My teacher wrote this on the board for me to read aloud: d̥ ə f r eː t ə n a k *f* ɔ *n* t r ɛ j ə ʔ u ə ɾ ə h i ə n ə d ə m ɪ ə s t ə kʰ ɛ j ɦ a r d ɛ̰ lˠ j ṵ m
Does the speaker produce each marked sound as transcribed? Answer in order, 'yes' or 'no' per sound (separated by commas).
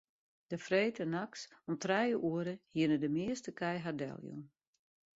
no, no